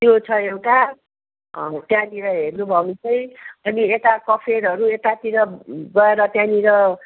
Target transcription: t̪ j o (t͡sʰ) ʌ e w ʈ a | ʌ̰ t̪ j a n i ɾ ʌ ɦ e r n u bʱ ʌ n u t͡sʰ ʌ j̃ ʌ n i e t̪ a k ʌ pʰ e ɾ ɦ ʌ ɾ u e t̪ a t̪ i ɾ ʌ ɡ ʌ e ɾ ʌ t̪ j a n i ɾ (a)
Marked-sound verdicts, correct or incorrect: correct, incorrect: ʌ

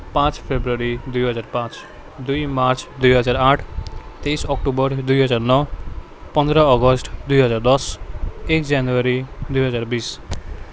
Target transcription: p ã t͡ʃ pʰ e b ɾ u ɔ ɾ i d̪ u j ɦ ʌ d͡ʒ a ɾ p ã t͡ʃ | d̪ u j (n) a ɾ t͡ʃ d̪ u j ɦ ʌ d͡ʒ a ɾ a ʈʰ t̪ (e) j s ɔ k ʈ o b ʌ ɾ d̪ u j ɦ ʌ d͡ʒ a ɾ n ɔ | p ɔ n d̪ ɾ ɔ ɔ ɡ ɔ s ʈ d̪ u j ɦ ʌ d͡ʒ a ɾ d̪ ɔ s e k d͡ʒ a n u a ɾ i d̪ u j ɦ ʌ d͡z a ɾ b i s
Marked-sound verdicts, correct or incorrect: incorrect: m, correct

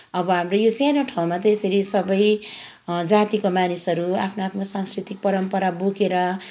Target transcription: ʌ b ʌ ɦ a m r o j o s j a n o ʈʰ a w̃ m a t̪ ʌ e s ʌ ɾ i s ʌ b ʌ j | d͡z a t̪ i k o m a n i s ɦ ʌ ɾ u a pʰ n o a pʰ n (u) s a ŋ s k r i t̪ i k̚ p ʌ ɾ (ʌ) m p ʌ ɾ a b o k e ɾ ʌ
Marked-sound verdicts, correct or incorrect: incorrect: o, correct

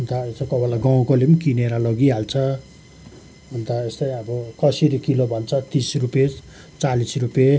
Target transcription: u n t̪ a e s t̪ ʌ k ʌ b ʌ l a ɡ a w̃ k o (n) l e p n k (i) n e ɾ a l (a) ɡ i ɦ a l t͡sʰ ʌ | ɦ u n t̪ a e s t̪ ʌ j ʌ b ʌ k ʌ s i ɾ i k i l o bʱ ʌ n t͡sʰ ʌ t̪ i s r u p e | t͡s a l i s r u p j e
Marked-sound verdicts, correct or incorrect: incorrect: none, correct, incorrect: ʌ

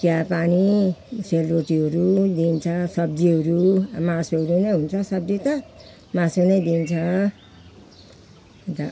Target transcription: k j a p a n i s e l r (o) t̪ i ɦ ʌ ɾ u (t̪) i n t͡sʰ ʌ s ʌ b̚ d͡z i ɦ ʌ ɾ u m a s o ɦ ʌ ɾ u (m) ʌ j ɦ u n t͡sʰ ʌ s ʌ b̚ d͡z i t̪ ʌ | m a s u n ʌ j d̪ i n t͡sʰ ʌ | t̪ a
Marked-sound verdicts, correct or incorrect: correct, incorrect: d̪, incorrect: n

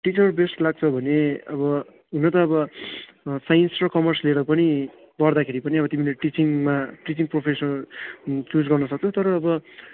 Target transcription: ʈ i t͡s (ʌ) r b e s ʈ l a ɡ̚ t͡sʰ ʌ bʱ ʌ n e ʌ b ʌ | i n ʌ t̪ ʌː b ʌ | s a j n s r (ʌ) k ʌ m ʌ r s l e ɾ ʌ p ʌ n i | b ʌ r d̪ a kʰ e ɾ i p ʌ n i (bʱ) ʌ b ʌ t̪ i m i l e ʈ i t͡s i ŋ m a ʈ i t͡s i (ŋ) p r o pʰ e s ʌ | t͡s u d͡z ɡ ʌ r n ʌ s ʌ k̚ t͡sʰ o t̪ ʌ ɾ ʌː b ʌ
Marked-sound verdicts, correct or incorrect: correct, correct, incorrect: none, correct

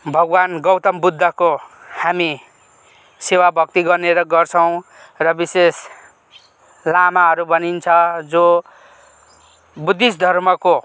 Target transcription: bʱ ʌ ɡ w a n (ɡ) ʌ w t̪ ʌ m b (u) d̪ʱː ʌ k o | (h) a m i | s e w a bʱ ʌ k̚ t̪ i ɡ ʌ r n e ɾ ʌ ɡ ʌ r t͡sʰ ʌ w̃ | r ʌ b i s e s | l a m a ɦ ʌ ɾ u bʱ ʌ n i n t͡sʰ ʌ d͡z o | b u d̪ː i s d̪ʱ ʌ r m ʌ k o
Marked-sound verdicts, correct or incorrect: correct, correct, correct

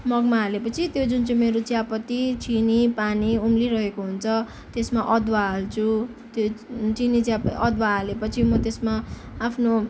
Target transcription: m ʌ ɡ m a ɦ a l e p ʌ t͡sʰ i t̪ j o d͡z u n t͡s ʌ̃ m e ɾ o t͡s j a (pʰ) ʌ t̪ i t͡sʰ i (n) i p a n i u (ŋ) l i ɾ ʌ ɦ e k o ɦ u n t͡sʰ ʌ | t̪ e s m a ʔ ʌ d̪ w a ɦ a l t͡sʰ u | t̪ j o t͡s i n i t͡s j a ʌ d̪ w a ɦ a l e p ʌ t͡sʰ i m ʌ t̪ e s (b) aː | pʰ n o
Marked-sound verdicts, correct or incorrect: incorrect: p, correct, incorrect: m, incorrect: m

